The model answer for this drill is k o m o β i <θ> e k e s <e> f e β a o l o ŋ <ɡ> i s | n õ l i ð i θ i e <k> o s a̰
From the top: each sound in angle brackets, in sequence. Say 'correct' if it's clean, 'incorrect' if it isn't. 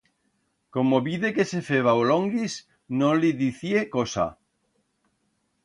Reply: incorrect: ð, correct, correct, correct

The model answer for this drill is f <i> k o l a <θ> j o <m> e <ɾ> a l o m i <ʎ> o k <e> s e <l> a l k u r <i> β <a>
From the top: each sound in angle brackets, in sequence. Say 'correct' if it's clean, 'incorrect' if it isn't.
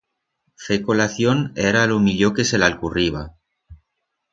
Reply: incorrect: e, correct, incorrect: n, correct, correct, correct, correct, correct, correct

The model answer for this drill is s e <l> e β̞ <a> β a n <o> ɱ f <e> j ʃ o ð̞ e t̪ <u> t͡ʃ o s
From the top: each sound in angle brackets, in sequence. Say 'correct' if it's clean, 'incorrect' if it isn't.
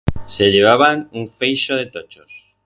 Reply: incorrect: ʎ, correct, incorrect: u, correct, incorrect: o

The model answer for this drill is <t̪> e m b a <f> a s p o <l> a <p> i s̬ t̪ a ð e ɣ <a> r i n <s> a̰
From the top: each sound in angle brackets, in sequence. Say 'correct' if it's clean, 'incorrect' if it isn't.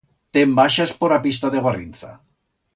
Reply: correct, incorrect: ʃ, incorrect: ɾ, correct, correct, incorrect: θ

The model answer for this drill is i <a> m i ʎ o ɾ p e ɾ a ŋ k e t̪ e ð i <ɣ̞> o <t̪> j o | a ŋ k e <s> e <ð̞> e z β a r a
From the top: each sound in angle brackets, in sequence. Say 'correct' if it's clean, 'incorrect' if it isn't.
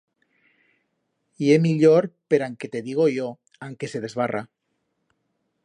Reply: incorrect: e, correct, incorrect: none, correct, correct

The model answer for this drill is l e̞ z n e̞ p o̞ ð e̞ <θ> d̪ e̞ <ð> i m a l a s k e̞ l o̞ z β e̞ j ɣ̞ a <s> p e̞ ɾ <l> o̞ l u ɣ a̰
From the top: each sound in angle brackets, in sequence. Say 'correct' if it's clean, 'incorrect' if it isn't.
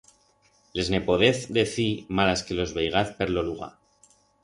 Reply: correct, incorrect: θ, incorrect: θ, correct

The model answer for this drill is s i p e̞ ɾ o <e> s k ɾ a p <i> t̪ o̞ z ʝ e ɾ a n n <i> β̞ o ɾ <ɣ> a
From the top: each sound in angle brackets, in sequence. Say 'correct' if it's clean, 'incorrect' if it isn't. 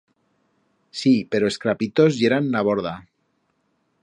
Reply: correct, correct, incorrect: a, incorrect: ð

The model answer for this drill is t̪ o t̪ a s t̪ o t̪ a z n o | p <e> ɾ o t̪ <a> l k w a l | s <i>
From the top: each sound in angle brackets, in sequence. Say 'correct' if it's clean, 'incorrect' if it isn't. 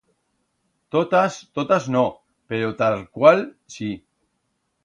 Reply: correct, correct, correct

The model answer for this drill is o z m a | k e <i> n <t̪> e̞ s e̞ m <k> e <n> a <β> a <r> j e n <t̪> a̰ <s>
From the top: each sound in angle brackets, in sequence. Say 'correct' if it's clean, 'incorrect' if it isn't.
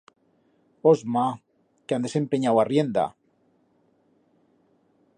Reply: incorrect: a, incorrect: d̪, incorrect: p, incorrect: ɲ, incorrect: w, correct, incorrect: d̪, incorrect: none

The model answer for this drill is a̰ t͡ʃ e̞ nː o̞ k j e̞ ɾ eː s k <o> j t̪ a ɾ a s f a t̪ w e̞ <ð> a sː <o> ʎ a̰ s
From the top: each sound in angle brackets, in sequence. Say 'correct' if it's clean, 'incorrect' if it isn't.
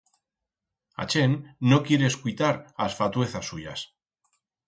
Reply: incorrect: u, incorrect: θ, incorrect: u

